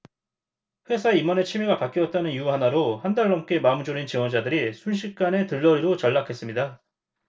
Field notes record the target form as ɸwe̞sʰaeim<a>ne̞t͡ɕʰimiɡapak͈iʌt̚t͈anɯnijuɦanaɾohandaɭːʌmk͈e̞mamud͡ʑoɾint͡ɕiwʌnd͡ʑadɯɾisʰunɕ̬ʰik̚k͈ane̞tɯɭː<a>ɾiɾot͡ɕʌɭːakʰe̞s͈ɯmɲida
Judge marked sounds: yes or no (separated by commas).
no, no